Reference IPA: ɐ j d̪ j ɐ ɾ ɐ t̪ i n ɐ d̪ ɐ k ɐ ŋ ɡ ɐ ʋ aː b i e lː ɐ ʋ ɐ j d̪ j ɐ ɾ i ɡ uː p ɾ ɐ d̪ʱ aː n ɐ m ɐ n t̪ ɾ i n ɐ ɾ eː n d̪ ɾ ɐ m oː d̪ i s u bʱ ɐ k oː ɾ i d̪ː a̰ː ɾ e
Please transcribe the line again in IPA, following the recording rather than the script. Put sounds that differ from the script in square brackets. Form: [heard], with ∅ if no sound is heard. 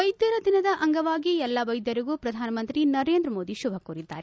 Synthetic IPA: ɐ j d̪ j ɐ ɾ ɐ [d̪] i n ɐ d̪ ɐ [ʔ] ɐ ŋ ɡ ɐ ʋ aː [ɡ] i [ɛ] lː ɐ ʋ ɐ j d̪ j ɐ ɾ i ɡ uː p ɾ ɐ d̪ʱ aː n ɐ m ɐ n t̪ ɾ i n ɐ ɾ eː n d̪ ɾ ɐ m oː d̪ i [ʃ] u bʱ ɐ k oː ɾ i d̪ː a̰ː ɾ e